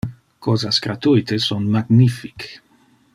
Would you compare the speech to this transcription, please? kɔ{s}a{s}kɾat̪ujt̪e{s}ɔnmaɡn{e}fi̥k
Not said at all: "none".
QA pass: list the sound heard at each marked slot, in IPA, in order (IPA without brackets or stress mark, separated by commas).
z, s, s, i